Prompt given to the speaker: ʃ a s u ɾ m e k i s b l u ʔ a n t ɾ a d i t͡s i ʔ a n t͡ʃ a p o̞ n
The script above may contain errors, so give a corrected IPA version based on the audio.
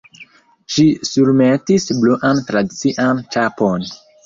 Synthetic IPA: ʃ i s u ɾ m e t i s b l u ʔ a n t ɾ a d i t͡s i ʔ a n t͡ʃ a p o̞ n